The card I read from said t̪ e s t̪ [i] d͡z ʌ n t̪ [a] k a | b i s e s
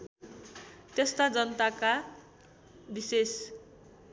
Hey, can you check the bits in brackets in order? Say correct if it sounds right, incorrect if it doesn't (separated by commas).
incorrect, correct